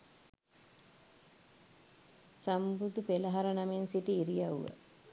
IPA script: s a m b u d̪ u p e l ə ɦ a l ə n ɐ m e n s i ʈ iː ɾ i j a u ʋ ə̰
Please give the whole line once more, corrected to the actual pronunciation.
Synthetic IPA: s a m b u d̪ u p e l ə ɦ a ɾ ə n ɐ m e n s i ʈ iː ɾ i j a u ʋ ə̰